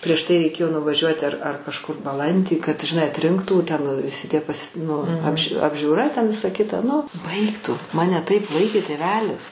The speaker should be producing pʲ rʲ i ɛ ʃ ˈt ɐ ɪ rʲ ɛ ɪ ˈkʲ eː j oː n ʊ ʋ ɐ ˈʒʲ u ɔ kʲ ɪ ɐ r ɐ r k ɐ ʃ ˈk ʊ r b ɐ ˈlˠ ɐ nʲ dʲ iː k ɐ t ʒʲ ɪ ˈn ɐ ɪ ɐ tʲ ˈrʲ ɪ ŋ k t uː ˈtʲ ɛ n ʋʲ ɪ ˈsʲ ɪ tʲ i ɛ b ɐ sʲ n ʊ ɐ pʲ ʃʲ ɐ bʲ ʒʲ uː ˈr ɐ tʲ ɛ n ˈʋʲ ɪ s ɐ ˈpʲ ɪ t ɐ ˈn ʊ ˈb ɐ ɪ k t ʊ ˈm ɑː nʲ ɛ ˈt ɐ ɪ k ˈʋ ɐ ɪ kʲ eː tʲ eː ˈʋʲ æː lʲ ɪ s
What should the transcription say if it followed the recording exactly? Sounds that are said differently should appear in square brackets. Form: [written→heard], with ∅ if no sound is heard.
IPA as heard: pʲ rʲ i ɛ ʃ ˈt ɐ ɪ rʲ ɛ ɪ ˈkʲ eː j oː n ʊ ʋ ɐ ˈʒʲ u ɔ [kʲ→tʲ] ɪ ɐ r ɐ r k ɐ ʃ ˈk ʊ r b ɐ ˈlˠ ɐ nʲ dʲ iː k ɐ t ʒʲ ɪ ˈn ɐ ɪ ɐ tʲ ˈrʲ ɪ ŋ k t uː ˈtʲ ɛ n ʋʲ ɪ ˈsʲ ɪ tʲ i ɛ [b→p] ɐ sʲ n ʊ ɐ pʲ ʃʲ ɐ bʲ ʒʲ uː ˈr ɐ tʲ ɛ n ˈʋʲ ɪ s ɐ [ˈpʲ→ˈkʲ] ɪ t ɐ ˈn ʊ ˈb ɐ ɪ k t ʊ ˈm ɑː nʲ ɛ ˈt ɐ ɪ [k→p] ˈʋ ɐ ɪ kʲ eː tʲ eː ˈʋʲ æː lʲ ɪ s